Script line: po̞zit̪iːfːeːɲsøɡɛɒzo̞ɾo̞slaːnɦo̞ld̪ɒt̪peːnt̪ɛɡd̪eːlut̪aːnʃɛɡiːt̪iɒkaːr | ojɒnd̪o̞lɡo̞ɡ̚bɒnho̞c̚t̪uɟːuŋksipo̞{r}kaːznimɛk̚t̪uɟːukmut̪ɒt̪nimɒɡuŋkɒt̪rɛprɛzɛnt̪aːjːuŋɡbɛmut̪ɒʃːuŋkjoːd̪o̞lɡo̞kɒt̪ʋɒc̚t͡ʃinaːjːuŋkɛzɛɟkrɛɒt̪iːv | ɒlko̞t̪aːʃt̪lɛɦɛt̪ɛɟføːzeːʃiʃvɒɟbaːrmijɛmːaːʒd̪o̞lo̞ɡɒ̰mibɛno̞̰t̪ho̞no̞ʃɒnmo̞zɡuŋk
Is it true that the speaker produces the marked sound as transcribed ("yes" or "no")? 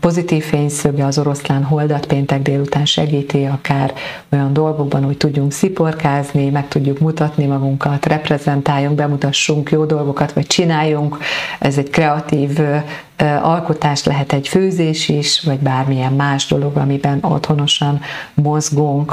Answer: yes